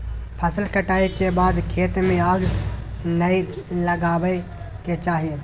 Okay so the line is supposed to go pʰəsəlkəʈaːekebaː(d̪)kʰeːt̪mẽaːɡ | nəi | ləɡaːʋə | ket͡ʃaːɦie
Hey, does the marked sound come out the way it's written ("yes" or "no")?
yes